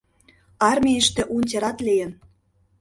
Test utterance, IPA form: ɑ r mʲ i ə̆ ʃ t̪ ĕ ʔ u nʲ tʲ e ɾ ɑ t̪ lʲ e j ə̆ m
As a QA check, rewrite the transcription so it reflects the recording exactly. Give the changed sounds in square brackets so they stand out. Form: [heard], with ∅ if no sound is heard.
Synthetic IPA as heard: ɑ r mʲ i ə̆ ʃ t̪ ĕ ʔ u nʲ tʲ e ɾ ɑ t̪ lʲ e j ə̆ [n]